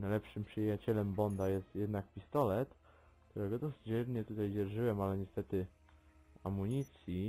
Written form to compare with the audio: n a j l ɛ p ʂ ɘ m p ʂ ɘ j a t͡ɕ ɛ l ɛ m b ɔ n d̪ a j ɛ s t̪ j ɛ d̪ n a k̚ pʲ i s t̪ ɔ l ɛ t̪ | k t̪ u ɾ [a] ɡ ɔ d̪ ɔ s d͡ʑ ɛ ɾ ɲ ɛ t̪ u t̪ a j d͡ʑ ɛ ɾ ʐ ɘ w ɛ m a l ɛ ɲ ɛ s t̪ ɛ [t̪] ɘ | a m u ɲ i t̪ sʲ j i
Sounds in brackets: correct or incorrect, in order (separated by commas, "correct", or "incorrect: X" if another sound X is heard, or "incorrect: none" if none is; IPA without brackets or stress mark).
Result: incorrect: ɛ, correct